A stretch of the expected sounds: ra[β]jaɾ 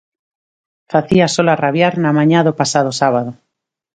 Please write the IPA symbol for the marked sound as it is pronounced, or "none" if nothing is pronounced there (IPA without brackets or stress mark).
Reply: β